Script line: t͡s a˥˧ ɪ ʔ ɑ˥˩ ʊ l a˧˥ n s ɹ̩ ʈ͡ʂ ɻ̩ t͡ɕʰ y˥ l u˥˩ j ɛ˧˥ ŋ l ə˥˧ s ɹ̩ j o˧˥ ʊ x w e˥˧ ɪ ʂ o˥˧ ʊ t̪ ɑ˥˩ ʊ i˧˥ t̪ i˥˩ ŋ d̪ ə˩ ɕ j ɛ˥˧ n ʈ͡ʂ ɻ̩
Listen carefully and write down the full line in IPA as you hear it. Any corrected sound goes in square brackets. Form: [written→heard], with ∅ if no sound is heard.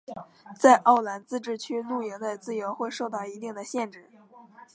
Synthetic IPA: t͡s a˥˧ ɪ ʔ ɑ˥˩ ʊ l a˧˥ n [s→t͡s] ɹ̩ ʈ͡ʂ ɻ̩ t͡ɕʰ y˥ l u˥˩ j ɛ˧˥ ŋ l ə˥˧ [s→t͡s] ɹ̩ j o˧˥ ʊ x w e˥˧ ɪ ʂ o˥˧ ʊ t̪ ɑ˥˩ ʊ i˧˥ t̪ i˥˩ ŋ d̪ ə˩ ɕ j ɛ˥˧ n ʈ͡ʂ ɻ̩